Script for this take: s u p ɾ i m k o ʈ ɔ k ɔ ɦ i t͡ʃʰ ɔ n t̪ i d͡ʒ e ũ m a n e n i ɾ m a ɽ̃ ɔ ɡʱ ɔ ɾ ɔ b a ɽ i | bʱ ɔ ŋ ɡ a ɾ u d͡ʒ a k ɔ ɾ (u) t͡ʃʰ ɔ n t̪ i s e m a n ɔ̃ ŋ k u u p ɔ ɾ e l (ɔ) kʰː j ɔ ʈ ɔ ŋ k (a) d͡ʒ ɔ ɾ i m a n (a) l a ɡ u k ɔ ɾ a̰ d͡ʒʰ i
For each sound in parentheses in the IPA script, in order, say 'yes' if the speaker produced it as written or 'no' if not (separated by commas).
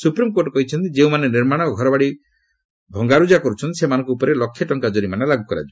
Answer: yes, yes, yes, no